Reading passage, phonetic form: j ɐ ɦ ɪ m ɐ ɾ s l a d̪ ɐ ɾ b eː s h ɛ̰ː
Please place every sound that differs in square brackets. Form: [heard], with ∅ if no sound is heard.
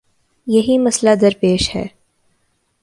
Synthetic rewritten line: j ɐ ɦ [i] m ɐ [∅] s l a d̪ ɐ ɾ [p] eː [ʃ] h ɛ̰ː